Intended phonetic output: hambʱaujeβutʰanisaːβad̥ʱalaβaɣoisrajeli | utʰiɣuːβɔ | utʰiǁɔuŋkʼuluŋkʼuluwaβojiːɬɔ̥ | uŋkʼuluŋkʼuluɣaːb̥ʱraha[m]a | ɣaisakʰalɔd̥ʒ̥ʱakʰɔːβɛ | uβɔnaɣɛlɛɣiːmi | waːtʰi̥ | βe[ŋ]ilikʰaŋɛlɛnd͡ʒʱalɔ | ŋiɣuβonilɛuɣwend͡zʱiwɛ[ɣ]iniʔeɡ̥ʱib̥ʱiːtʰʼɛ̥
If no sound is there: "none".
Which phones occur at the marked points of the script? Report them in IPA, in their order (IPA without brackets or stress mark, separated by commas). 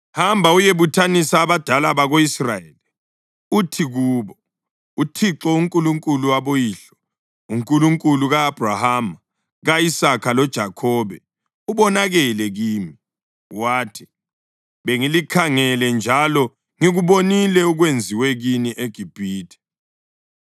m, ŋ, ɣ